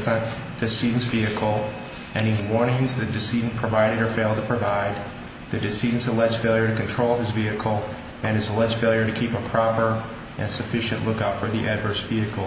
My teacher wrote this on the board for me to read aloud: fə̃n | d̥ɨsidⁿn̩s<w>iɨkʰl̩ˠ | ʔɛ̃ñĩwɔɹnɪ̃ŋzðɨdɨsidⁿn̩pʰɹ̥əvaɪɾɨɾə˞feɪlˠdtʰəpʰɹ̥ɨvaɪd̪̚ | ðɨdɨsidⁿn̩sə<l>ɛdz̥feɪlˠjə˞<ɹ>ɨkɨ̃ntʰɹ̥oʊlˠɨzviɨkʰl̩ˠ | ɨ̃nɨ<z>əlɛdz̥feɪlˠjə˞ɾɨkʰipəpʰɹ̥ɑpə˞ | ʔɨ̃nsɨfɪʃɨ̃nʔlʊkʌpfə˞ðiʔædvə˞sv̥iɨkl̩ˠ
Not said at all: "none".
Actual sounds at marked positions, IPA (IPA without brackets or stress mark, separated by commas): v, l, ɾ, z